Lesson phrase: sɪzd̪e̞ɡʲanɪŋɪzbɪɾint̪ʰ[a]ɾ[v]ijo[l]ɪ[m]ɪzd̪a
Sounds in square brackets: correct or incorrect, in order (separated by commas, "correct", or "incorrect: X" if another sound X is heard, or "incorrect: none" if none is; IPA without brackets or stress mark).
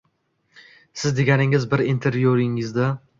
incorrect: e, correct, incorrect: ɾ, incorrect: ŋ